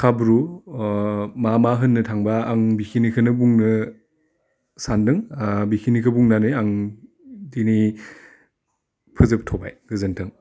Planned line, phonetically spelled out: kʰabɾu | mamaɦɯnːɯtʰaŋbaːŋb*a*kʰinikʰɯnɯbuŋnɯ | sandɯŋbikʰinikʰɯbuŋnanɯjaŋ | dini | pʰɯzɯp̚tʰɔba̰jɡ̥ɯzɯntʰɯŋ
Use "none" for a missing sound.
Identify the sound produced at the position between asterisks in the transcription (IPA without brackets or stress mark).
i